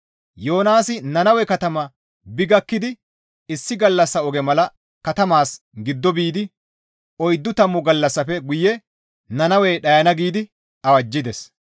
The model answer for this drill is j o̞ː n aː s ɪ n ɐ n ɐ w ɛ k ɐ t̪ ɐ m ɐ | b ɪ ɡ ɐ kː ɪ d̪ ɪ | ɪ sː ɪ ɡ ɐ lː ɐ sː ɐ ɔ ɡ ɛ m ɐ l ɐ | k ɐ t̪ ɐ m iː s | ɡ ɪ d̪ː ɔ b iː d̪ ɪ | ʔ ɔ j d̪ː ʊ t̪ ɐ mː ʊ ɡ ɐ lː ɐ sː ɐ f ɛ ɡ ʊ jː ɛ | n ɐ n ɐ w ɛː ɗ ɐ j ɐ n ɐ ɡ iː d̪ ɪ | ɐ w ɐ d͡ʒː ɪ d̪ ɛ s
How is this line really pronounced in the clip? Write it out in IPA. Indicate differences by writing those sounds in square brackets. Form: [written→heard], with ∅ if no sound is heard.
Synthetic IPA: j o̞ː n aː s ɪ n ɐ n ɐ w ɛ k ɐ t̪ ɐ m ɐ | b ɪ ɡ ɐ kː ɪ d̪ ɪ | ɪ sː ɪ ɡ ɐ lː ɐ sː ɐ ɔ ɡ ɛ m ɐ l ɐ | k ɐ t̪ ɐ m [iː→aː] s | ɡ ɪ d̪ː ɔ b iː d̪ ɪ | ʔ ɔ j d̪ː ʊ t̪ ɐ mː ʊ ɡ ɐ lː ɐ sː ɐ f ɛ ɡ ʊ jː ɛ | n ɐ n ɐ w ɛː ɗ ɐ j ɐ n ɐ ɡ iː d̪ ɪ | ɐ w ɐ d͡ʒː ɪ d̪ ɛ s